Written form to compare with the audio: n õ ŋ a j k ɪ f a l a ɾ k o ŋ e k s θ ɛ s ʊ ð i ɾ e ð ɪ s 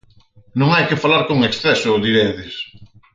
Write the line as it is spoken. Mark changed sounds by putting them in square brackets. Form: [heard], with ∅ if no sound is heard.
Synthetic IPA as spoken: n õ ŋ a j k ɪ f a l a ɾ k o ŋ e k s θ ɛ s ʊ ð i ɾ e ð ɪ s